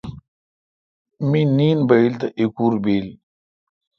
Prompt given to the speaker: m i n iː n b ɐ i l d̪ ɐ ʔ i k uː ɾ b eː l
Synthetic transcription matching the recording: m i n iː n b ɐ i l t̪ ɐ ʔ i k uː ɾ b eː l